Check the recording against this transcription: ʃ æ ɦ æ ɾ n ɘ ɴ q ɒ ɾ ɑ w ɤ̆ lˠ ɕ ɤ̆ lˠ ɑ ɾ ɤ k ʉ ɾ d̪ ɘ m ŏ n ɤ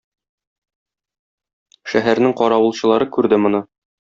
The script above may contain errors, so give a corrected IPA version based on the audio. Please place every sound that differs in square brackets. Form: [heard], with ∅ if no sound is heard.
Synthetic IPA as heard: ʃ æ ɦ æ ɾ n ɘ [ŋ] q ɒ ɾ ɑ w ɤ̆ lˠ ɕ ɤ̆ lˠ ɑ ɾ ɤ k ʉ ɾ d̪ ɘ m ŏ n ɤ